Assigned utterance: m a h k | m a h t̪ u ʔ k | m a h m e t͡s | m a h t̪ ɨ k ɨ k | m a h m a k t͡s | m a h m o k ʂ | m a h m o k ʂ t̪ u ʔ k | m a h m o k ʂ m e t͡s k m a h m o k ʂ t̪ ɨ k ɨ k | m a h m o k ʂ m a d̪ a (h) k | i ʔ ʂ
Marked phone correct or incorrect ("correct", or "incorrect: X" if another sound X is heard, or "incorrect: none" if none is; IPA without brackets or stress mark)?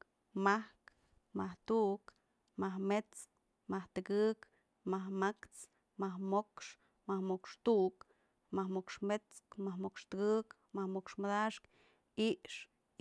incorrect: ʂ